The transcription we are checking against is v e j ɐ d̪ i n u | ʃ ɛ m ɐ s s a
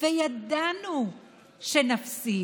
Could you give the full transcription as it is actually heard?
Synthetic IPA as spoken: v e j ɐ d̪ a n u | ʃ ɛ n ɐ f s i